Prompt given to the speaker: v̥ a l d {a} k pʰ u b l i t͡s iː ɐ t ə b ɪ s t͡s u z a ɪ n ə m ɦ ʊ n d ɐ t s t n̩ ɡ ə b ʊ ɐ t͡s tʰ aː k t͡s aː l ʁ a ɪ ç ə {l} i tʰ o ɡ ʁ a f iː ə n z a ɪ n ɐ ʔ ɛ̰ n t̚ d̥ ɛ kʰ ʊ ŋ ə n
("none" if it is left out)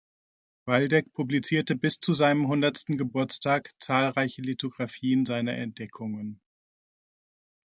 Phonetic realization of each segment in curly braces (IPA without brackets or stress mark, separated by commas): ɛ, l